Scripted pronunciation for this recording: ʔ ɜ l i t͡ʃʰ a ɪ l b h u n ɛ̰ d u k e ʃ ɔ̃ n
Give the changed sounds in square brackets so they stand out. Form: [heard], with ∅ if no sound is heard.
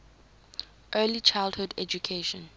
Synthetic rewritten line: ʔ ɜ l i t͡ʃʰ a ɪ l [d] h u [d] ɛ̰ [d͡ʒ] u [kʰ] e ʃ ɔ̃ n